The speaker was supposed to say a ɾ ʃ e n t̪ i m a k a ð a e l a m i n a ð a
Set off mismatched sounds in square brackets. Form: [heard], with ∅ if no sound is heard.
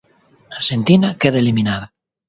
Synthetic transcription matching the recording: a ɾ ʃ e n t̪ i [n] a k [e] ð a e l [i] m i n a ð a

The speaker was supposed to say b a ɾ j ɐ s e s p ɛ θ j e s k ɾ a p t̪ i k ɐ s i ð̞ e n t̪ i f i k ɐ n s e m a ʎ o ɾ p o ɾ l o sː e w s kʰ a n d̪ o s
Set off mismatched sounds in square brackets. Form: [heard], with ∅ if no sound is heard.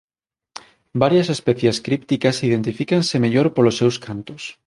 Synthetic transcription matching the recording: b a ɾ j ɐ s e s p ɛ θ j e s k ɾ [i] p t̪ i k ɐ s i ð̞ e n t̪ i f i k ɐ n s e m [e] ʎ o ɾ p o [∅] l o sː e w s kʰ a n [t̪] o s

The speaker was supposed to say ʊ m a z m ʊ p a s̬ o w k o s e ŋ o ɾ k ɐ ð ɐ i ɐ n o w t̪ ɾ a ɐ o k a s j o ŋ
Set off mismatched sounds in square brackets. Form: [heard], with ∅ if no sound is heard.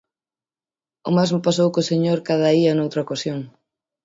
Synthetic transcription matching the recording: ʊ m a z m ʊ p a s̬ o w k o s e [ɲ] o ɾ k [a] ð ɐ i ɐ n o w t̪ ɾ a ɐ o k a s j o ŋ

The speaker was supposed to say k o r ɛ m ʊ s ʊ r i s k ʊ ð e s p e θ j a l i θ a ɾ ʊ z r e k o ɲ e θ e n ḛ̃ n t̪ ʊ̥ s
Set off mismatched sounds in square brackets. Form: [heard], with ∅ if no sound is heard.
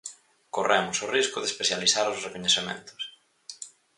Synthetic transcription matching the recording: k o r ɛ m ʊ s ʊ r i s k ʊ ð e s p e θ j a l i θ a ɾ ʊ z r e k o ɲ e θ e [m] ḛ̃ n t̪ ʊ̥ s

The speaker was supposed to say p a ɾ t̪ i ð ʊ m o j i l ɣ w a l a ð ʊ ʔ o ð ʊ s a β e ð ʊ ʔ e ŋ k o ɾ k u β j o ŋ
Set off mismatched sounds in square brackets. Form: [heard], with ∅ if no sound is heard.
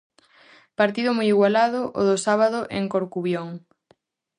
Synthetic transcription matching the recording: p a ɾ t̪ i ð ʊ m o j i [∅] ɣ w a l a ð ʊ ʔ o ð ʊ s a β [a] ð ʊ ʔ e ŋ k o ɾ k u β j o ŋ

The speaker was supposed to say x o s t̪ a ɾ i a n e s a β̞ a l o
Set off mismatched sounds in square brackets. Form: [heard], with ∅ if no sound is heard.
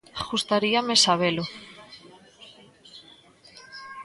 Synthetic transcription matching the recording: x [u] s t̪ a ɾ i a [m] e s a β̞ [e] l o

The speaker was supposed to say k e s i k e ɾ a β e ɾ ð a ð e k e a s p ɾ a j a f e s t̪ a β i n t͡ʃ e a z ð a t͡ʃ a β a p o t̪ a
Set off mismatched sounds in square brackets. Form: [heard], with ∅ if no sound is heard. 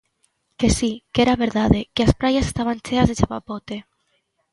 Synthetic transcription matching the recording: k e s i k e ɾ a β e ɾ ð a ð e k e a s p ɾ a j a [s] e s t̪ a β [a] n t͡ʃ e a z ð [e] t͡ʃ a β a p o t̪ [e]

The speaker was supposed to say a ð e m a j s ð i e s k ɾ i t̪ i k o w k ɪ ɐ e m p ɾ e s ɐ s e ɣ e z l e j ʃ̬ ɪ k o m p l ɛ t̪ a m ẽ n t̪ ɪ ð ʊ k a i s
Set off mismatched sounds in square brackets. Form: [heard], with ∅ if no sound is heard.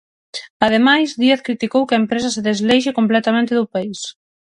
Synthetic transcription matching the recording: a ð e m a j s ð i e [θ] k ɾ i t̪ i k o w k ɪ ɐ e m p ɾ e s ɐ s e [ð] e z l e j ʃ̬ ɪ k o m p l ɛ t̪ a m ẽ n t̪ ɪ ð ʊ [p] a i s

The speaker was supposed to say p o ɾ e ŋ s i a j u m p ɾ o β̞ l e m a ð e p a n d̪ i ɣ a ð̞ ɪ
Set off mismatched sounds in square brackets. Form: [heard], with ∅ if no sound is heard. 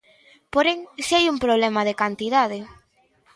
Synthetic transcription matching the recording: p o ɾ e ŋ s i a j u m p ɾ o β̞ l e m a ð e [k] a n [t̪] i [ð] a ð̞ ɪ

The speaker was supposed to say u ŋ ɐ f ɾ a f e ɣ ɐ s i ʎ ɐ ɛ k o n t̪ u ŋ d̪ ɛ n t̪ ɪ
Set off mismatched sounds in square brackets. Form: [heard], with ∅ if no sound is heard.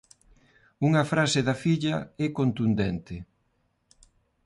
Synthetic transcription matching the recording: u ŋ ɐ f ɾ a [s] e [ð] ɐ [f] i ʎ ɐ ɛ k o n t̪ u [n] d̪ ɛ n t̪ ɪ

